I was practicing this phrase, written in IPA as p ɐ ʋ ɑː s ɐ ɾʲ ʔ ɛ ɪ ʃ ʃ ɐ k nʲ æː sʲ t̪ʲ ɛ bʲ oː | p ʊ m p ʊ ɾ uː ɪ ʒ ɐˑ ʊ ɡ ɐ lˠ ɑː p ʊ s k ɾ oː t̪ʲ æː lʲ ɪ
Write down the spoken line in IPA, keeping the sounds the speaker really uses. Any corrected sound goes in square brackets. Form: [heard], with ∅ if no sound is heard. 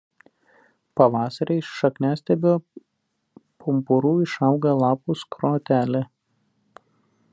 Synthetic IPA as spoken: p ɐ ʋ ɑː s ɐ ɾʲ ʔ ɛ ɪ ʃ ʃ ɐ k nʲ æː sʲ t̪ʲ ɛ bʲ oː | p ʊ m p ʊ ɾ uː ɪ [ʃ] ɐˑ ʊ ɡ ɐ lˠ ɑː p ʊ s k ɾ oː t̪ʲ æː lʲ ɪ